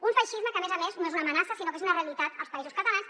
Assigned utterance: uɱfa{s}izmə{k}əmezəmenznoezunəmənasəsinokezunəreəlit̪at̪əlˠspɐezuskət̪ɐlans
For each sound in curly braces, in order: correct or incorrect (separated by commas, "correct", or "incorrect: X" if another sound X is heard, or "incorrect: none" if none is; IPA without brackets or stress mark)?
incorrect: ʃ, correct